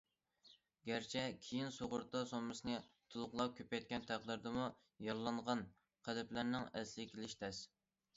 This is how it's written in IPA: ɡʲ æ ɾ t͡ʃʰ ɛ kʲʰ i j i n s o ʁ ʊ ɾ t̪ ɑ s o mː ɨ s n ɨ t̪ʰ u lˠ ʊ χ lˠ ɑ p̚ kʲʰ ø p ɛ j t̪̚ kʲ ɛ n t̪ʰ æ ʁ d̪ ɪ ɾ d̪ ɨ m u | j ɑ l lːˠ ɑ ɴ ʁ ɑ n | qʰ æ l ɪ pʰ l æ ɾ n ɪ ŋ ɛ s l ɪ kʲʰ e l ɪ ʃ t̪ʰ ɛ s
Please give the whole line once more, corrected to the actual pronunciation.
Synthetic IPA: ɡʲ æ ɾ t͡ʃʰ ɛ kʲʰ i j i n s o ʁ ʊ ɾ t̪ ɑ s o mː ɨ s n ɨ t̪ʰ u lˠ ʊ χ lˠ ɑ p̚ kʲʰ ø p ɛ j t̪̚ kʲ ɛ n t̪ʰ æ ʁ d̪ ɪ ɾ d̪ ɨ m u | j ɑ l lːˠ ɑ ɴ ʁ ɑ n | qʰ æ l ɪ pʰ l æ ɾ n ɪ ŋ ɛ s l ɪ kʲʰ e l ɪ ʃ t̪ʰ ɛ s